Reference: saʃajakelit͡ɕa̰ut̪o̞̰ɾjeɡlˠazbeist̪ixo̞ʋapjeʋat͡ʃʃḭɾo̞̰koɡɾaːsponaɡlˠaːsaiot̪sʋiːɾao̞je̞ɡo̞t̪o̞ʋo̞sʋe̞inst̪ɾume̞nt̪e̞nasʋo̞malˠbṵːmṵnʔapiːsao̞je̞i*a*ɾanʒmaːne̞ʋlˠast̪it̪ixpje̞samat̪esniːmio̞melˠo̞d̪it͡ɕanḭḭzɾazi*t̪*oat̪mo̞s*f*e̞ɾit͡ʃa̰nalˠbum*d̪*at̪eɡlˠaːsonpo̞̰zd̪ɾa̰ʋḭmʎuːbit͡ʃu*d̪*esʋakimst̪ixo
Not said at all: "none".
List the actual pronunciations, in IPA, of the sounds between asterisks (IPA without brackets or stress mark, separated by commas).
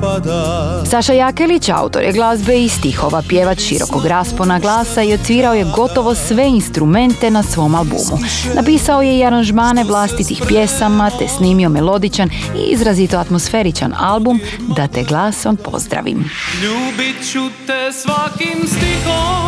a, t̪, f, d̪, t̪